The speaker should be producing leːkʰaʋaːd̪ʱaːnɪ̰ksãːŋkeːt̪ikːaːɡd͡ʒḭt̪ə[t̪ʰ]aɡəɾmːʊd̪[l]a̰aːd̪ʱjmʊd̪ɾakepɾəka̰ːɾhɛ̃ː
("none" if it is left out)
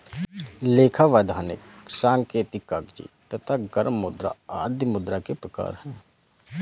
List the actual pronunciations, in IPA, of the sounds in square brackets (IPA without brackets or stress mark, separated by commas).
t̪ʰ, ɾ